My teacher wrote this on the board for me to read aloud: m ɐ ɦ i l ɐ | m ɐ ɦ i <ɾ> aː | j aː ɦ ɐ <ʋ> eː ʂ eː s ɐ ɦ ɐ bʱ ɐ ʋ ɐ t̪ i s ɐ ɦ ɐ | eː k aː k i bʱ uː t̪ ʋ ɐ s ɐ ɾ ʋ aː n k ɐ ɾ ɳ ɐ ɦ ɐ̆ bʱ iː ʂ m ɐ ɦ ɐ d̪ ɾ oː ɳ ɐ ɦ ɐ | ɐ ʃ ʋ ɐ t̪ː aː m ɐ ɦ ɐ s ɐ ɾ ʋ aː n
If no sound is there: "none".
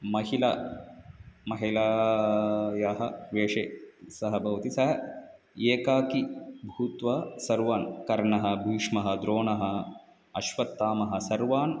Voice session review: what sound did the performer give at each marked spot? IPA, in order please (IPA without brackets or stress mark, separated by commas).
l, ʋ